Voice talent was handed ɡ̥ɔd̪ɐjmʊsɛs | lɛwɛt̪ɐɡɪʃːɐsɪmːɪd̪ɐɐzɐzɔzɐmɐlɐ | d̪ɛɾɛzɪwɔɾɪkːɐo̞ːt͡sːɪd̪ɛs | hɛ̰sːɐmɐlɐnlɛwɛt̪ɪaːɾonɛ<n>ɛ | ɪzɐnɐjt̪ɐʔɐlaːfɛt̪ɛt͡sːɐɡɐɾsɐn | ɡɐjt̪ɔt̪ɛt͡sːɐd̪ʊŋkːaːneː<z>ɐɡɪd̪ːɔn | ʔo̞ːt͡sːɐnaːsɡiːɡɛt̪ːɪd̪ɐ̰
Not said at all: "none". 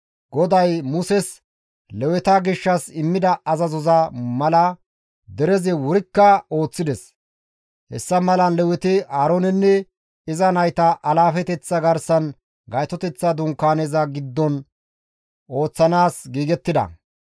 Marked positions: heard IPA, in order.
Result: nː, z

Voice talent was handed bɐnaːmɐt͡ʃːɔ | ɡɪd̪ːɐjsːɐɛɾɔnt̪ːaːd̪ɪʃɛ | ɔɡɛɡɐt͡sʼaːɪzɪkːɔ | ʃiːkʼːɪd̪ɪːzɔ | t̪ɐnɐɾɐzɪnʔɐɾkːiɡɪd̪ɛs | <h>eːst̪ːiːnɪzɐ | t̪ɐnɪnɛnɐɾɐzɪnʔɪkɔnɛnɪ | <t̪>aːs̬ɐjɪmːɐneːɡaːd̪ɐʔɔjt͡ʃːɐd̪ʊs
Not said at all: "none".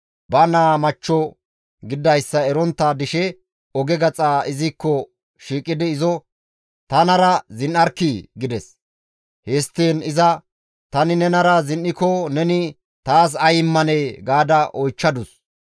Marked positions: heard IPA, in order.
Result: h, t̪

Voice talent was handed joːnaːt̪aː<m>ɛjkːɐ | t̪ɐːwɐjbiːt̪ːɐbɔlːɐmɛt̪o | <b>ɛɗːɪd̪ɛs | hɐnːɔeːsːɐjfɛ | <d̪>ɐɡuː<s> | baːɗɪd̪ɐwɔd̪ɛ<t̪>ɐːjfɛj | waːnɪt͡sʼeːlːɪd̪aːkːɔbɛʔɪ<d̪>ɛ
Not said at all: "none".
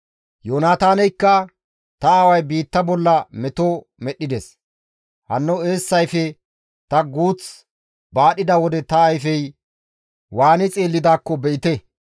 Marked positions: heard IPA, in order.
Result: n, m, t̪, t͡s, t̪, t̪

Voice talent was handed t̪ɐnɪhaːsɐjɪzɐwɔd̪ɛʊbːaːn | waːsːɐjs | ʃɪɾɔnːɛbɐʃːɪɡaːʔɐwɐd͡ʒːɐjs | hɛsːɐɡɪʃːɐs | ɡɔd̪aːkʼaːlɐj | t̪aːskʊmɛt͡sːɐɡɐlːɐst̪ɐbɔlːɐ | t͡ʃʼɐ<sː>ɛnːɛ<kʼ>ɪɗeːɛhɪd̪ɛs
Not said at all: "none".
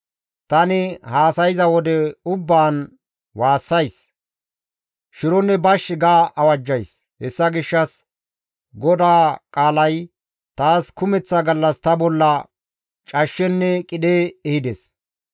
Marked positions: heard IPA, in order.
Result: ʃː, kʼ

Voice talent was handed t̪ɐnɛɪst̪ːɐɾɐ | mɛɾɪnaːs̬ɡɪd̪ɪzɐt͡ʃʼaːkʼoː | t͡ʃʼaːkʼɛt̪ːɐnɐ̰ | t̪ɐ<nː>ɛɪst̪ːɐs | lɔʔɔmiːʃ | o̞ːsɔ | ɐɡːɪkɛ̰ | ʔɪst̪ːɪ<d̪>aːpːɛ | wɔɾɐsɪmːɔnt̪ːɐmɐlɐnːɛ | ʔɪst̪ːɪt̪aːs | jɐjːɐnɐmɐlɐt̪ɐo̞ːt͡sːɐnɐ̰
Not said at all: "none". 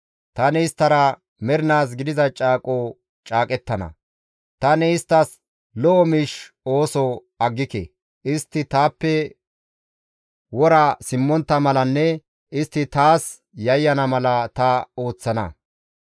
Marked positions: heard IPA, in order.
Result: n, t̪

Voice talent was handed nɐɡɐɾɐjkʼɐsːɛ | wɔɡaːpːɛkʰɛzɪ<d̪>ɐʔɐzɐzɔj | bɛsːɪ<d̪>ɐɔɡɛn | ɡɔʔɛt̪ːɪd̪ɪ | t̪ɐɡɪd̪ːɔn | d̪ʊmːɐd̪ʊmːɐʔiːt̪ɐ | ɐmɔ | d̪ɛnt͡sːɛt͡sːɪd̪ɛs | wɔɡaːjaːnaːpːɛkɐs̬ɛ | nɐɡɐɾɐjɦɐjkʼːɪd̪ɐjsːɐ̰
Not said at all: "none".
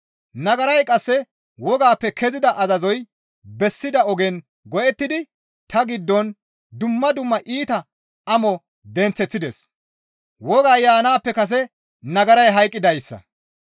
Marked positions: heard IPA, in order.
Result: d̪, d̪

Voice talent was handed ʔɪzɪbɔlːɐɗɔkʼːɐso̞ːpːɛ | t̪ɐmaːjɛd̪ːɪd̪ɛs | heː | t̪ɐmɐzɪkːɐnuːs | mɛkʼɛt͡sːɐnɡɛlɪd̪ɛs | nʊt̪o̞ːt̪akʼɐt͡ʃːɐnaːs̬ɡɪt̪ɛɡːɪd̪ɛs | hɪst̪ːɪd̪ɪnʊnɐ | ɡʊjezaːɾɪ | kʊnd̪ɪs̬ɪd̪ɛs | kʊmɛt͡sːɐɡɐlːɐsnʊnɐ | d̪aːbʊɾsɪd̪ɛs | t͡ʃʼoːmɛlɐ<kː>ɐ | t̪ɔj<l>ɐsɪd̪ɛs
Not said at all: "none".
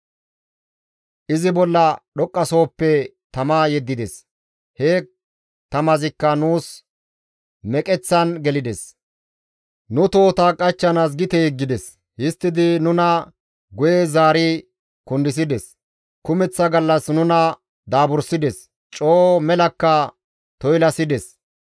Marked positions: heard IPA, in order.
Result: kː, l

